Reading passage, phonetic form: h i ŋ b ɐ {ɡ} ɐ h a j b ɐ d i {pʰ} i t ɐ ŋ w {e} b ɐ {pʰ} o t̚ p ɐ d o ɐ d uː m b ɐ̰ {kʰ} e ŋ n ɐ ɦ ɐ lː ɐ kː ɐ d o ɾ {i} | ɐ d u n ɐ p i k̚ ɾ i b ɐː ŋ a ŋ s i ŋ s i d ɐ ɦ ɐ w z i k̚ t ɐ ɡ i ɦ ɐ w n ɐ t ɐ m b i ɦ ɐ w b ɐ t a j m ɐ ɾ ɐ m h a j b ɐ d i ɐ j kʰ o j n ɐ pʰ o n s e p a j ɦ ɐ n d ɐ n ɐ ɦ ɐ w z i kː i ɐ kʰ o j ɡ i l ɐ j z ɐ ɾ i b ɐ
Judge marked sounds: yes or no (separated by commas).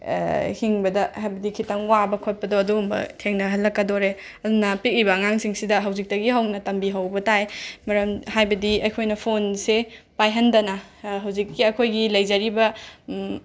no, no, no, no, no, no